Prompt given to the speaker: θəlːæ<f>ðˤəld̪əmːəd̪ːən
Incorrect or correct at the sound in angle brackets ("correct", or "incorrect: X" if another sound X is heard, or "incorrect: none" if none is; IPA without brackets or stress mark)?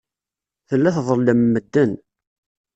incorrect: θ